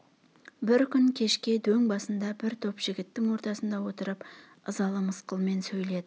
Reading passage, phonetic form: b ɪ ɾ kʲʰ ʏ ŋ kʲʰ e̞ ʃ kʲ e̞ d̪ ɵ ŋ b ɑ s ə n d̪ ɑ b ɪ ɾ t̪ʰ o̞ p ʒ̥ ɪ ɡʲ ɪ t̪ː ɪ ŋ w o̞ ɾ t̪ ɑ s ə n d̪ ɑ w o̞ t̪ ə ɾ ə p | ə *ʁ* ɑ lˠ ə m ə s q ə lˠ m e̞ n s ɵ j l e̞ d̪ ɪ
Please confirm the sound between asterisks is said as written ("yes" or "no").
no